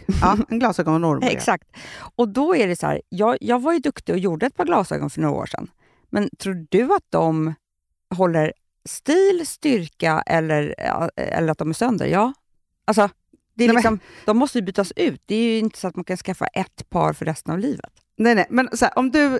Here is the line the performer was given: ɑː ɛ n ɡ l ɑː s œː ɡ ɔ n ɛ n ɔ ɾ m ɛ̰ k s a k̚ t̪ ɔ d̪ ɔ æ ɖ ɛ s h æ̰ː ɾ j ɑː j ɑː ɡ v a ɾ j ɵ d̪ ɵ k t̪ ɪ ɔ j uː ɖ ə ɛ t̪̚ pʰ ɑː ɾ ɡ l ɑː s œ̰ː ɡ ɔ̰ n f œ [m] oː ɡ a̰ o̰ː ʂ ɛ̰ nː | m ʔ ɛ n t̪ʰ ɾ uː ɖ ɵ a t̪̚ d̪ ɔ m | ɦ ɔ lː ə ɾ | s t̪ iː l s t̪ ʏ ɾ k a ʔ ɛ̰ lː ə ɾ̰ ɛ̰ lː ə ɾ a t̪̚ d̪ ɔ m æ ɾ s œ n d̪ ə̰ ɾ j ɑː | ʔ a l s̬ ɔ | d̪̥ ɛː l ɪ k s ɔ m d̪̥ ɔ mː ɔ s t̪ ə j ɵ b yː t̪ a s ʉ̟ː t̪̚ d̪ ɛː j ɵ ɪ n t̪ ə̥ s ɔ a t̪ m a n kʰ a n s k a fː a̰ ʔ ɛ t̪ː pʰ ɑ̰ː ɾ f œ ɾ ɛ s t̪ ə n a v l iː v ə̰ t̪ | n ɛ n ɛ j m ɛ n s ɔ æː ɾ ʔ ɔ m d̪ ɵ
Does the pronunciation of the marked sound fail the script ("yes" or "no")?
yes